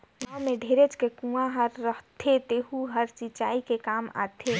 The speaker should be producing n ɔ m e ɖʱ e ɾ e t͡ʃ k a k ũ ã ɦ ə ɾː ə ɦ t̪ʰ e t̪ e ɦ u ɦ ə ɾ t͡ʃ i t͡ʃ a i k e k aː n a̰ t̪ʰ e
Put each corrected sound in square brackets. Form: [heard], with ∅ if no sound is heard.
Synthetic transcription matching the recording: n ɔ m e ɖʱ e ɾ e t͡ʃ k [e] k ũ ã ɦ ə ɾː ə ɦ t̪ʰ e t̪ e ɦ u ɦ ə ɾ t͡ʃ i t͡ʃ a i k e k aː [m] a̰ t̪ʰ e